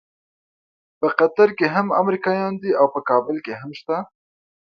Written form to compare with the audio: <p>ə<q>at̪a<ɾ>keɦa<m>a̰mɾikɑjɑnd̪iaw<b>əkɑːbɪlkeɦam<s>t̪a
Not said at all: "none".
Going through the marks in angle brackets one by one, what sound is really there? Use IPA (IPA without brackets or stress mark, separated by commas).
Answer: p, q, ɾ, m, p, ʃ